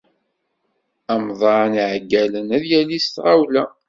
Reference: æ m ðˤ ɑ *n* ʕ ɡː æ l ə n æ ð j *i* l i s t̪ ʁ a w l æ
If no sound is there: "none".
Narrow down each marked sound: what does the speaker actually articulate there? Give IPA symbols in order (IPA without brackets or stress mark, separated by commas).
n, æ